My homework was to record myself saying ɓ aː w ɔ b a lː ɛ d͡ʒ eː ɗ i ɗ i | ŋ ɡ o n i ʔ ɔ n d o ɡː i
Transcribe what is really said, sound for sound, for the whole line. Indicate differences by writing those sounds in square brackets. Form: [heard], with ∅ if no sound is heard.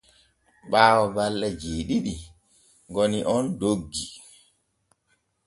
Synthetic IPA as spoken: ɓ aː w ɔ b a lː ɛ d͡ʒ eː ɗ i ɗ i | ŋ ɡ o n i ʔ ɔ n d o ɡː i